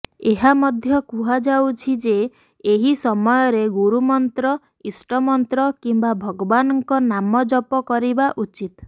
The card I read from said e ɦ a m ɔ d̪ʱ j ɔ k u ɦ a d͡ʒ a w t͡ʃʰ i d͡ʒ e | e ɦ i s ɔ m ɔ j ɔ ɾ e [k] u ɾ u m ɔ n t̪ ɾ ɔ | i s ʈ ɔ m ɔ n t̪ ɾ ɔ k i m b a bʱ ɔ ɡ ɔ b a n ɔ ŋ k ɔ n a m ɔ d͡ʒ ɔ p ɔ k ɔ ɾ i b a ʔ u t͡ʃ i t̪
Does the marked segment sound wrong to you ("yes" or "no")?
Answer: yes